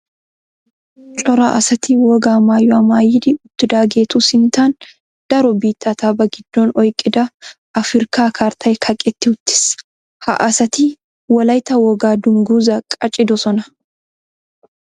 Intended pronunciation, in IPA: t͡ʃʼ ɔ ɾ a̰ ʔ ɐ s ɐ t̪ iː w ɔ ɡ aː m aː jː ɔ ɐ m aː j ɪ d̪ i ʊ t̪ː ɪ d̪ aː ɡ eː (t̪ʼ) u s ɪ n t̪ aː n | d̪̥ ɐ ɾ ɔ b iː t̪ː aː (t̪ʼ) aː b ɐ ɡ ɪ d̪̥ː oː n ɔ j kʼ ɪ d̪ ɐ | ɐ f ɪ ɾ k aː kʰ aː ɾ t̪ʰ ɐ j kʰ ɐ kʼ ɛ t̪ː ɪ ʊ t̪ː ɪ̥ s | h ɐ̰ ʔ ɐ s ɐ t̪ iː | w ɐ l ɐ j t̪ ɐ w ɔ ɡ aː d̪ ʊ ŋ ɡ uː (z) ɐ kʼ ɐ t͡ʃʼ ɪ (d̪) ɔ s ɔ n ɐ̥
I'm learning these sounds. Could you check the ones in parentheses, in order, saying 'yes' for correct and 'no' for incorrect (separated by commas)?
no, no, yes, yes